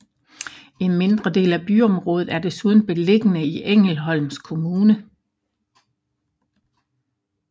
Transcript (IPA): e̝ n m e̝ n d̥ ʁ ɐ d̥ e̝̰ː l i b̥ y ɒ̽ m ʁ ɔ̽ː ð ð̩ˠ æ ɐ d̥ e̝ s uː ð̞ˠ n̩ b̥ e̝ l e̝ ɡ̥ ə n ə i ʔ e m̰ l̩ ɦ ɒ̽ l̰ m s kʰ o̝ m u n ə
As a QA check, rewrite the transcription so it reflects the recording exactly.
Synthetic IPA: e̝ n m e̝ n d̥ ʁ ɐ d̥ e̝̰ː l æ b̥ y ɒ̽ m ʁ ɔ̽ː ð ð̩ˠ æ ɐ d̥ e̝ s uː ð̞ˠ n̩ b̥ e̝ l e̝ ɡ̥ ə n ə i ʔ e ŋ̰ l̩ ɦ ɒ̽ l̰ m s kʰ o̝ m uː n ə